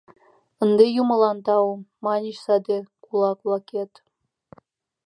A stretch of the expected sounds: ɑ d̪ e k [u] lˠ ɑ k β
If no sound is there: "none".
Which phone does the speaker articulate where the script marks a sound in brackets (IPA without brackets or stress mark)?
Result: u